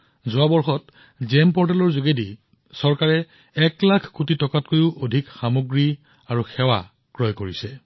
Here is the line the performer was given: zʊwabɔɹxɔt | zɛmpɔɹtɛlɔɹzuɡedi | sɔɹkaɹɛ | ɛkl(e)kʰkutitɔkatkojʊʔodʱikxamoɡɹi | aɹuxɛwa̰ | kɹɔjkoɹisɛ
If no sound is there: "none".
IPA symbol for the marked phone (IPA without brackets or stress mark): a